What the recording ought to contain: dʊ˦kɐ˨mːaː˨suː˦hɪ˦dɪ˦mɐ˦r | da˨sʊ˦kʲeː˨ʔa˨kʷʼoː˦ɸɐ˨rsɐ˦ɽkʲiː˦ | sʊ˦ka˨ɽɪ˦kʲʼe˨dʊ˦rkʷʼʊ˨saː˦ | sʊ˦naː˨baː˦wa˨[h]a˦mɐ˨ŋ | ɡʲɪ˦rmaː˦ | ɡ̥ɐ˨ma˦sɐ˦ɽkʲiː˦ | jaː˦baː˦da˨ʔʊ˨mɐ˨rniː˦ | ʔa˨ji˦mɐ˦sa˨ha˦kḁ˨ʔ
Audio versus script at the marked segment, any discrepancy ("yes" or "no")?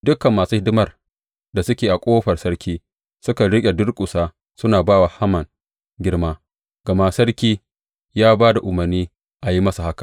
no